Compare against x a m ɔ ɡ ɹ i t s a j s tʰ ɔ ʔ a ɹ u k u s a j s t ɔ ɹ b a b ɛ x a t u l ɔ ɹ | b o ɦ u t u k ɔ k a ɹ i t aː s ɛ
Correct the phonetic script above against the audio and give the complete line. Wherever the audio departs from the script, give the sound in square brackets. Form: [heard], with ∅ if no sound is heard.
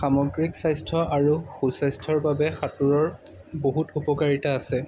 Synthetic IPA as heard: x a m ɔ ɡ ɹ i [k] s a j s tʰ ɔ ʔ a ɹ u [x] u s a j s [tʰ] ɔ ɹ b a b ɛ x a t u [ɹ] ɔ ɹ | b o ɦ u t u [p] ɔ k a ɹ i t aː s ɛ